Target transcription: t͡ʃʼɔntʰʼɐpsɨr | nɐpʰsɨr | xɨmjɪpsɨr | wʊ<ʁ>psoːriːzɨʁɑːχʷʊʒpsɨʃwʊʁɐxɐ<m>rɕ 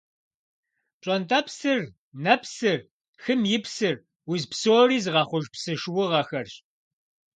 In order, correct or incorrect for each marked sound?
incorrect: z, incorrect: none

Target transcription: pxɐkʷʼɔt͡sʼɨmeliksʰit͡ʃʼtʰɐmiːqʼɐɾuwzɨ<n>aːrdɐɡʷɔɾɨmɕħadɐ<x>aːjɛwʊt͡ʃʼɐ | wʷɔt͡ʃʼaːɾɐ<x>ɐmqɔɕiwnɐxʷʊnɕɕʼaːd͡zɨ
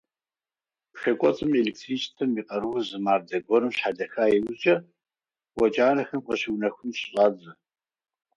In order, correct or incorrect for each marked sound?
incorrect: m, correct, correct

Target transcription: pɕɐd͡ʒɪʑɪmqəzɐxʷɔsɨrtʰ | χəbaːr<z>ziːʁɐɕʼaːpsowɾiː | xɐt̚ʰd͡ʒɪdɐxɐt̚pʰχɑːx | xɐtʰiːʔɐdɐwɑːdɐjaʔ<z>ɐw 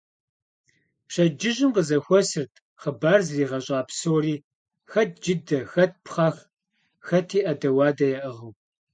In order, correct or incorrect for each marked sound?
correct, incorrect: ʁ

